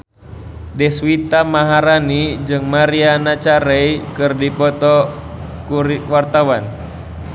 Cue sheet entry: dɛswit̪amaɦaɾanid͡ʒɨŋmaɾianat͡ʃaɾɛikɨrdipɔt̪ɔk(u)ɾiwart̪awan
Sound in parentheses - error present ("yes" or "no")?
no